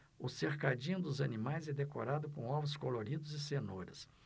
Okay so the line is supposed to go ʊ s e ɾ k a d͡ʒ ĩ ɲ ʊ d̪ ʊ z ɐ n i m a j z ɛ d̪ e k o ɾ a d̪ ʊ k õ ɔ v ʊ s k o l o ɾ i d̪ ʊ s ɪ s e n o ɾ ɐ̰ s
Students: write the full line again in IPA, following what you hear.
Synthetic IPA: ʊ s e ɾ k a d͡ʒ ĩ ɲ ʊ d̪ ʊ z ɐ n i m a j z ɛ d̪ e k o ɾ a d̪ ʊ k õ ɔ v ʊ s k o l o ɾ i d̪ ʊ z ɪ s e n o ɾ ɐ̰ s